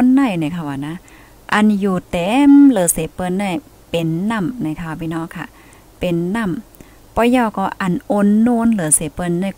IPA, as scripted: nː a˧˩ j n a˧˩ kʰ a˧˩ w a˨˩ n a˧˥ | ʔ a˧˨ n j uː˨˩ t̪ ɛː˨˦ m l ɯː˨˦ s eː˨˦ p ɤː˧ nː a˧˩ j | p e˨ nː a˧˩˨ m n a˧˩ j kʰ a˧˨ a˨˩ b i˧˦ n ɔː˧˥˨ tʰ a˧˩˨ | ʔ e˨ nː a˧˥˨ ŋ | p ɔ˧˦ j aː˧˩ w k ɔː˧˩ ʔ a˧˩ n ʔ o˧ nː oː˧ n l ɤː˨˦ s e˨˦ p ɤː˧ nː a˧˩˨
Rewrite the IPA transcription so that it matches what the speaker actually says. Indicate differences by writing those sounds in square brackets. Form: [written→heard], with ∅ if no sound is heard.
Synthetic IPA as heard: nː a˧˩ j n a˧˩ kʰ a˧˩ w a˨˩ n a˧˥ | ʔ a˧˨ n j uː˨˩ t̪ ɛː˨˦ m l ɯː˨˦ s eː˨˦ p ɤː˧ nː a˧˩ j | p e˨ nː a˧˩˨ m n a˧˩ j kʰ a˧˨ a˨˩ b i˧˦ n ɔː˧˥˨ [tʰ→kʰ] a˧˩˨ | [ʔ→p] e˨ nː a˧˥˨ [ŋ→m] | p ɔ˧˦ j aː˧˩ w k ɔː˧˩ ʔ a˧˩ n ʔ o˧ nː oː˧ n l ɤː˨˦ s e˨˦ p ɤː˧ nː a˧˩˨